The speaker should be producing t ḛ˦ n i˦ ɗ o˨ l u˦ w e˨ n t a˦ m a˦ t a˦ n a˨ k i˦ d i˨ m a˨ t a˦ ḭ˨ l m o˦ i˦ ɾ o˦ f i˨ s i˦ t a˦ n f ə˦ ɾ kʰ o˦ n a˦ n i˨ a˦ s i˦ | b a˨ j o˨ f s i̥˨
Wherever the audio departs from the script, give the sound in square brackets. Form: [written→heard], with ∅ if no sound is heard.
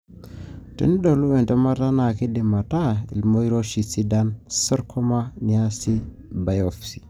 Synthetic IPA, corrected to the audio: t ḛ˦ n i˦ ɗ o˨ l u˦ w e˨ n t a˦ m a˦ t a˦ n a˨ k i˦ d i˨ m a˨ t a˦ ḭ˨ l m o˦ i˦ ɾ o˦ [f→ʃ] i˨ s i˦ [t→d] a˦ n [f→s] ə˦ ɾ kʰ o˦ [n→m] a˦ n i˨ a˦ s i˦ | b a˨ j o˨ f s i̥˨